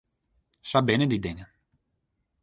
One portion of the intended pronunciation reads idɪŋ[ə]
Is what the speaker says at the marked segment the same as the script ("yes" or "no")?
yes